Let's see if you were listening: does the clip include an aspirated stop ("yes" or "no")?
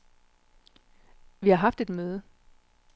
no